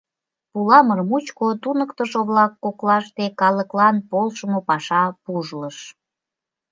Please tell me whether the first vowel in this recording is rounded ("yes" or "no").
yes